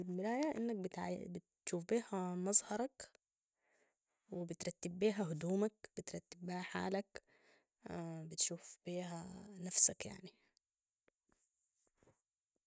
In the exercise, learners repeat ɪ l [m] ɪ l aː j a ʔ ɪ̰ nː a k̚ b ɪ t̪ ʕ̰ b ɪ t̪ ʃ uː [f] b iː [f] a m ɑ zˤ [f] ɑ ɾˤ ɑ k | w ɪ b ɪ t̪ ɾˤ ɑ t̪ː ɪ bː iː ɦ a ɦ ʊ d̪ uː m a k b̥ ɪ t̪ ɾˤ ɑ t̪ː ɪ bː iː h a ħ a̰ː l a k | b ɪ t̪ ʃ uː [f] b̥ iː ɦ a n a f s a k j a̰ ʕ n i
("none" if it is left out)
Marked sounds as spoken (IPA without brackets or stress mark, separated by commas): m, f, h, h, f